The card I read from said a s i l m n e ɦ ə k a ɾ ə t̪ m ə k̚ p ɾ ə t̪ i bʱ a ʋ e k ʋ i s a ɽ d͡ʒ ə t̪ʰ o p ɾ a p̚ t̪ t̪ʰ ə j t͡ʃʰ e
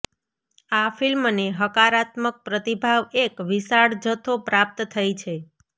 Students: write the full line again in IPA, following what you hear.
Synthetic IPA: a f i l m n e ɦ ə k a ɾ a t̪ m ə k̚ p ɾ ə t̪ i bʱ a ʋ e k ʋ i s a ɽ d͡ʒ ə t̪ʰ o p ɾ a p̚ t̪ t̪ʰ ə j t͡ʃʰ e

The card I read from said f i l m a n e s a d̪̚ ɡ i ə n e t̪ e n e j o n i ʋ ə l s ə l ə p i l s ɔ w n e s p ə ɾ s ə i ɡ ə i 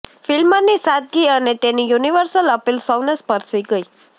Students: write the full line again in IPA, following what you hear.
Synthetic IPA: f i l m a n i s a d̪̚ ɡ i ə n e t̪ e n i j u n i ʋ ə ɾ s ə l ə p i l s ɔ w n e s p ə ɾ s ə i ɡ ə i

